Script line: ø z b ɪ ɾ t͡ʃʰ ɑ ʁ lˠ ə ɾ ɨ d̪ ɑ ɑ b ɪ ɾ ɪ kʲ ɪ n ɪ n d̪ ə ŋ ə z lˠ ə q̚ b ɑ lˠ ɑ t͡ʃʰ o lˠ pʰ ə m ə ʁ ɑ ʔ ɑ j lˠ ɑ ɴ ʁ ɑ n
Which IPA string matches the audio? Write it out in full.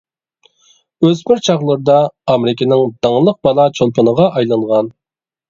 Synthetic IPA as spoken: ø z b ɪ ɾ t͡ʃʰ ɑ ʁ lˠ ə ɾ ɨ d̪ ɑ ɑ m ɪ ɾ ɪ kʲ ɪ n ɪ ŋ d̪ ɑ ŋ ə lˠ ə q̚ b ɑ lˠ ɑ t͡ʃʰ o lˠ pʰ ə n ə ʁ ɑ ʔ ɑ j lˠ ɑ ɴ ʁ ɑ n